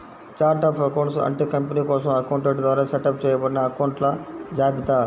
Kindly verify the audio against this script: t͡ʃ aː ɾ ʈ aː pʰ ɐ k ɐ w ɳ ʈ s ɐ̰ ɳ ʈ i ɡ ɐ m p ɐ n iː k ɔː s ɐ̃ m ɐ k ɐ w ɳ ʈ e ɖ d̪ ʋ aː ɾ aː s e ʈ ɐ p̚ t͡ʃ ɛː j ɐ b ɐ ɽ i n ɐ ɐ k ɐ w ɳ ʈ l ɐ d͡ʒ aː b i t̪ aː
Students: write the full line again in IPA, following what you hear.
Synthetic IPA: t͡ʃ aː ɾ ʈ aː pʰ ɐ k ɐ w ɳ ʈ s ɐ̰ ɳ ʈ i k ɐ m p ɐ n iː k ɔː s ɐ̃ m ɐ k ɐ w ɳ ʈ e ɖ d̪ ʋ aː ɾ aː s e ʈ ɐ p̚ t͡ʃ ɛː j ɐ b ɐ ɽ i n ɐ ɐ k ɐ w ɳ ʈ l ɐ d͡ʒ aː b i t̪ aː